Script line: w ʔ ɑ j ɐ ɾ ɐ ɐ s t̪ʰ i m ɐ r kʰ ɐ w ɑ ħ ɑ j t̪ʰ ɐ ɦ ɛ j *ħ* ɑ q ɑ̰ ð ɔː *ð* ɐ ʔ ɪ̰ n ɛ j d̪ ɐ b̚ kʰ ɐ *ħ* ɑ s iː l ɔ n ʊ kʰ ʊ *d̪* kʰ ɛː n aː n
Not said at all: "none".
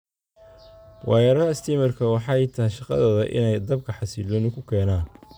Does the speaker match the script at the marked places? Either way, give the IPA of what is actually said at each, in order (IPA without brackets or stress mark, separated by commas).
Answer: ʃ, ð, ħ, none